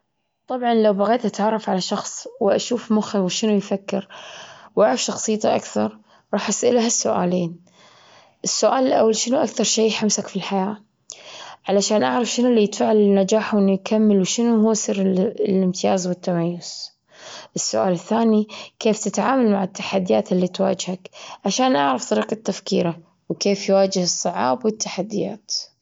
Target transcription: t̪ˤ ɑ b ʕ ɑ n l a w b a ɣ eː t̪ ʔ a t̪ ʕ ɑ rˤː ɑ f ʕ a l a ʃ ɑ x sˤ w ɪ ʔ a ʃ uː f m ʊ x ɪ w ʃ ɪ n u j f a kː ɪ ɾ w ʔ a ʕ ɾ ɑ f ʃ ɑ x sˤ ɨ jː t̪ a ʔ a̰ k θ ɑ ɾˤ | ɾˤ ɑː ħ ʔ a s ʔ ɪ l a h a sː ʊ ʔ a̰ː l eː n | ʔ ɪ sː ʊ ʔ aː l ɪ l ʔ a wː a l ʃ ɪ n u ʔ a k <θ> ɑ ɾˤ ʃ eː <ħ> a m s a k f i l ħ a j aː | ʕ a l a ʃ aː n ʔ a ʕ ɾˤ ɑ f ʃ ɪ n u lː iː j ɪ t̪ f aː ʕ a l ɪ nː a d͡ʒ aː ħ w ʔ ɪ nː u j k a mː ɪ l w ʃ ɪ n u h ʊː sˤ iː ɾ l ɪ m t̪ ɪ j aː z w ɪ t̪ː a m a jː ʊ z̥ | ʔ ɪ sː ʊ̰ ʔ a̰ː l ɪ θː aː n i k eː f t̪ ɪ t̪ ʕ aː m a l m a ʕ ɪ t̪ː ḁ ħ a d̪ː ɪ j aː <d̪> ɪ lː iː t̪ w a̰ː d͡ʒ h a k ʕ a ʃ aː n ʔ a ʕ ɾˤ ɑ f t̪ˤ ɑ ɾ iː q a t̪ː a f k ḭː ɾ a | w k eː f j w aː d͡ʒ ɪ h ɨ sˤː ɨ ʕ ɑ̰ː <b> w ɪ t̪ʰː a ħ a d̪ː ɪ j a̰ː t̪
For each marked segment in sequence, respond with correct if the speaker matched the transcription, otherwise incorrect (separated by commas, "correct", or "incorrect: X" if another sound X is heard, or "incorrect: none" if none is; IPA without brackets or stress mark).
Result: correct, correct, incorrect: t̪, correct